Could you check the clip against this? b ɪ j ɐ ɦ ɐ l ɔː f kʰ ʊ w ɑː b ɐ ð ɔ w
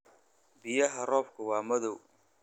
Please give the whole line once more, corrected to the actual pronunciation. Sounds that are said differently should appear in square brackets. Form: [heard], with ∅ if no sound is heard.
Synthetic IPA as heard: b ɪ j ɐ ɦ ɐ [r] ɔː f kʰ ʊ w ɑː [m] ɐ ð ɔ w